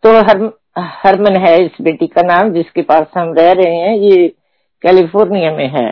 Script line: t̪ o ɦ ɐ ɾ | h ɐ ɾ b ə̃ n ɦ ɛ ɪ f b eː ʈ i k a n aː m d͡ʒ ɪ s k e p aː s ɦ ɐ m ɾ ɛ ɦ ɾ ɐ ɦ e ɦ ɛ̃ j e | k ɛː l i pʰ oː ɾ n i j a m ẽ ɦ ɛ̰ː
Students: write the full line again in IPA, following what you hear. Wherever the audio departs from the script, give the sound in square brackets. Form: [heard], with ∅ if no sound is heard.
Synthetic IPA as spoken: t̪ o ɦ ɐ ɾ | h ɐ ɾ [m] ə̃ n ɦ ɛ ɪ [s] b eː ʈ i k a n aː m d͡ʒ ɪ s k e p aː s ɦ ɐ m ɾ ɛ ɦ ɾ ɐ ɦ e ɦ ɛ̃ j e | k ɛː l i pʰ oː ɾ n i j a m ẽ ɦ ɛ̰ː